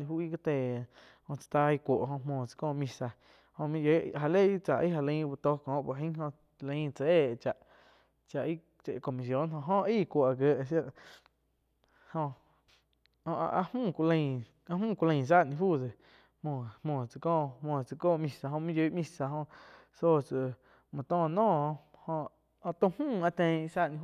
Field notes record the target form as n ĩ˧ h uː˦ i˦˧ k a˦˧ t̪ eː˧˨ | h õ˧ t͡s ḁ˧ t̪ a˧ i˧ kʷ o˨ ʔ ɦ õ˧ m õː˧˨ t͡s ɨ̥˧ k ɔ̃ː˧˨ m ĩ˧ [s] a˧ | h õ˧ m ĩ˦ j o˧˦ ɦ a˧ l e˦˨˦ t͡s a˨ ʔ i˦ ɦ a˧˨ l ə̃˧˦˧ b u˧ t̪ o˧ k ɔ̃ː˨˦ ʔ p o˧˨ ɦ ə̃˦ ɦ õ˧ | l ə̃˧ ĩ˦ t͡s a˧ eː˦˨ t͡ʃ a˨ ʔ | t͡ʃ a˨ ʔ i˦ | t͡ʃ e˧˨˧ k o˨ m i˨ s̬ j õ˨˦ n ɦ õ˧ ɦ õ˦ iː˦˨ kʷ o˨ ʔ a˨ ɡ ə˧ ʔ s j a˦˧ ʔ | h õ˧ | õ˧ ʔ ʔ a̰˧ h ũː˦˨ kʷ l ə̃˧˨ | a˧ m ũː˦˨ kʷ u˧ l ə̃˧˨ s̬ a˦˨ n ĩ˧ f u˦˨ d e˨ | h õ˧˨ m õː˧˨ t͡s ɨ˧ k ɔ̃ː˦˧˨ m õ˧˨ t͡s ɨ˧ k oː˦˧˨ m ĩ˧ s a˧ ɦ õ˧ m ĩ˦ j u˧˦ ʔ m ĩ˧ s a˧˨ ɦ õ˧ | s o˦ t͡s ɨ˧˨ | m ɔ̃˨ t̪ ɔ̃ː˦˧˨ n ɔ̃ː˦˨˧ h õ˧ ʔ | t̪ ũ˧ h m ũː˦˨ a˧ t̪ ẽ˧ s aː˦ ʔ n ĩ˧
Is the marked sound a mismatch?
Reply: no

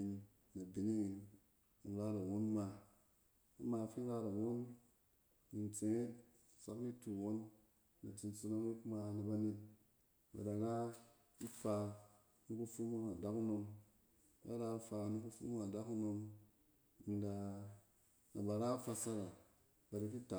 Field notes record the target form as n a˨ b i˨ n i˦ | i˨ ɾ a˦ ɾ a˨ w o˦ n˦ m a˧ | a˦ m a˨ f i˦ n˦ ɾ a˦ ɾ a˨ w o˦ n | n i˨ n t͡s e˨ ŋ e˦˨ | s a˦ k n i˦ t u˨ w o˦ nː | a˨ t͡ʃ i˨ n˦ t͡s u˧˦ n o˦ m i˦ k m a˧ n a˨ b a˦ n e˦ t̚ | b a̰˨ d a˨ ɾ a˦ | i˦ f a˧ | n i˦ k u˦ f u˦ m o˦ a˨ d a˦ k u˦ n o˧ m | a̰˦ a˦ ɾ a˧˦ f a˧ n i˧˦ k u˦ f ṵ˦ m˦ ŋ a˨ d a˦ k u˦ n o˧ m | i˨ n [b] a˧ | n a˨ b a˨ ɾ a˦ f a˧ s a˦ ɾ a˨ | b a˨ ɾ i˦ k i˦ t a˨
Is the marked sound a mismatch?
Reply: yes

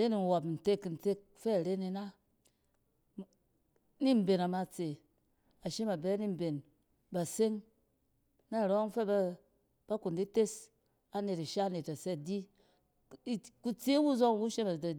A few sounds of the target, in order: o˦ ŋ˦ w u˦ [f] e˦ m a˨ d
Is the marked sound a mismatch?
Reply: yes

